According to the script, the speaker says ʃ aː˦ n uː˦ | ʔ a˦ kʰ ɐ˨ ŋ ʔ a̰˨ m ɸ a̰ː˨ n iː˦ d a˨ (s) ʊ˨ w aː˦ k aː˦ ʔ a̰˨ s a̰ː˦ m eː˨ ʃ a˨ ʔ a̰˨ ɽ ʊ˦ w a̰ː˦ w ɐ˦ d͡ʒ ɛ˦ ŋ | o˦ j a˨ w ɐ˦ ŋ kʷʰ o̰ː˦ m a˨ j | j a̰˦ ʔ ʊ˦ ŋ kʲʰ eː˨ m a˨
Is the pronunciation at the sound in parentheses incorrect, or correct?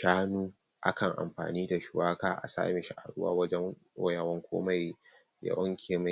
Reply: incorrect